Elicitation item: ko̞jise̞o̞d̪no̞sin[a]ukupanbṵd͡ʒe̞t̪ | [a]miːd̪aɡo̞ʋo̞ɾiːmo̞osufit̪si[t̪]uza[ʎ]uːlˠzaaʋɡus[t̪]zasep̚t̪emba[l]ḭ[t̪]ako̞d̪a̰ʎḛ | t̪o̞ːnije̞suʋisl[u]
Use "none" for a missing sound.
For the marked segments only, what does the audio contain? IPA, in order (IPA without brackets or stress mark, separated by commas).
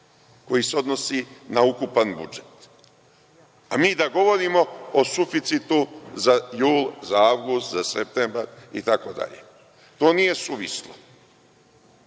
a, a, t̪, j, t̪, ɾ, t̪, o